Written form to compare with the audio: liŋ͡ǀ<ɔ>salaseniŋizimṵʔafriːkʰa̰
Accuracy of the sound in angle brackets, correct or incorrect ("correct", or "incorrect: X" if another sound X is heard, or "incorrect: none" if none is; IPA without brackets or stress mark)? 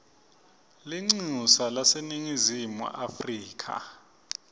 incorrect: u